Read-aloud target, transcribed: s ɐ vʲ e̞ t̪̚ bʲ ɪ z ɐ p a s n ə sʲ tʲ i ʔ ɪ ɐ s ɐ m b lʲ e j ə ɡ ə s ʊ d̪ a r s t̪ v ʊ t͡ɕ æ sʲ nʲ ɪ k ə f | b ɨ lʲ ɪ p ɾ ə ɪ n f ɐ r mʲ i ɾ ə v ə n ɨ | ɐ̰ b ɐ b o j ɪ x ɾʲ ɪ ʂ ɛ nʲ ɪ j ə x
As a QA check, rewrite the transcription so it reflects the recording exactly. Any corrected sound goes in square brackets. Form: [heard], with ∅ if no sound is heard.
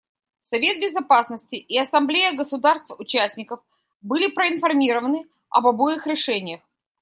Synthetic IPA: s ɐ vʲ e̞ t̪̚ bʲ ɪ z ɐ p a s n ə sʲ tʲ [ɪ] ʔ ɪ ɐ s ɐ m b lʲ e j ə ɡ ə s ʊ d̪ a r s t̪ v ʊ t͡ɕ æ sʲ nʲ ɪ k ə f | b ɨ lʲ ɪ p ɾ ə ɪ n f ɐ r mʲ i ɾ ə v ə n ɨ | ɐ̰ b ɐ b o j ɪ x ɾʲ ɪ ʂ ɛ nʲ ɪ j ə x